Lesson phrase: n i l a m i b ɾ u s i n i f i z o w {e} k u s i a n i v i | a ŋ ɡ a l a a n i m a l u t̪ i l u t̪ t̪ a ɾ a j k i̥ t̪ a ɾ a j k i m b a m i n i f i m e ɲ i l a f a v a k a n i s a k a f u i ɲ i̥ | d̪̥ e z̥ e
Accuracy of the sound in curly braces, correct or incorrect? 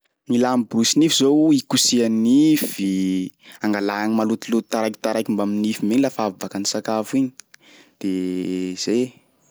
incorrect